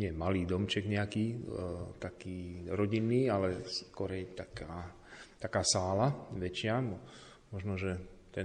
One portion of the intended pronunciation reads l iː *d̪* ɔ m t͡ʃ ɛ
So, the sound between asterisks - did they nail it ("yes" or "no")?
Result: yes